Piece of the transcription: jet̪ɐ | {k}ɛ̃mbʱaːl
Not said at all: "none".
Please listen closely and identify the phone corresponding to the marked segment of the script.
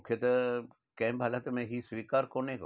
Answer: k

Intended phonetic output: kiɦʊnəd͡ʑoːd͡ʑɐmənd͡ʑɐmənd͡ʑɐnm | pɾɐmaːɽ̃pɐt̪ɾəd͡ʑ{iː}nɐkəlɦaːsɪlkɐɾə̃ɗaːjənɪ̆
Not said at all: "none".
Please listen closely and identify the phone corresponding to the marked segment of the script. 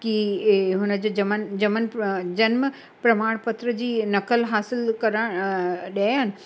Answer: iː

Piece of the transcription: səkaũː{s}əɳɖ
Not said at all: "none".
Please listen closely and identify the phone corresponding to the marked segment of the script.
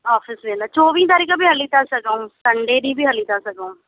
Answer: s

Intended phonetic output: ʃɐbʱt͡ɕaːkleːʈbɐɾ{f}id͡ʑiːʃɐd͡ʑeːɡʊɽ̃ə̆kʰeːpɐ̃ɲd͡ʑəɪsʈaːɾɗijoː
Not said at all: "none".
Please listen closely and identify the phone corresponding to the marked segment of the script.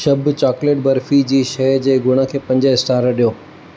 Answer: f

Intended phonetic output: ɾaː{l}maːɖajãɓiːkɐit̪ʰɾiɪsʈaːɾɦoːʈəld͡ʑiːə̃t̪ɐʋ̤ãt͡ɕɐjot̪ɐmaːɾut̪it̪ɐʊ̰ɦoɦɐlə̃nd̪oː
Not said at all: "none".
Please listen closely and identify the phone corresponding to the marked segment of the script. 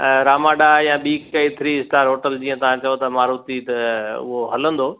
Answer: none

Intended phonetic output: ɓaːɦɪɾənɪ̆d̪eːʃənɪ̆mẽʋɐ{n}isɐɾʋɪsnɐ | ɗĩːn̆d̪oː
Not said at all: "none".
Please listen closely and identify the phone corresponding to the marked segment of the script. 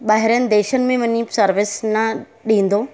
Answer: ɲ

